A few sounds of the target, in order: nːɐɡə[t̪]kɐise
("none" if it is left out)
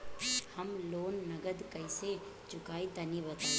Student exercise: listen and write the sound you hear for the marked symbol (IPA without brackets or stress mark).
d̪